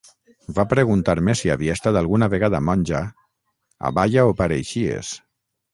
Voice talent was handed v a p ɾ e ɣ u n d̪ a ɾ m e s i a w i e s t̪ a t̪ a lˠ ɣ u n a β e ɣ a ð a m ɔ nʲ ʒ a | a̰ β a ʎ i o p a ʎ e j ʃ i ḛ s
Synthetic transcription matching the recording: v a p ɾ e ɣ u n t̪ a ɾ m e s i a β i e s t̪ a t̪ a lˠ ɣ u n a β e ɣ a ð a m ɔ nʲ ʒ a | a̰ β a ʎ a o p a ɾ e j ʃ i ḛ s